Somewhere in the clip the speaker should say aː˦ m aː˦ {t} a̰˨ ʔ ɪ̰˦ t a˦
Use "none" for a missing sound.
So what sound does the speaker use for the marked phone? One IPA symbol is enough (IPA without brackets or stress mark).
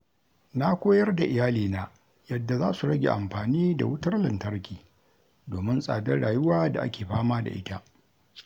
d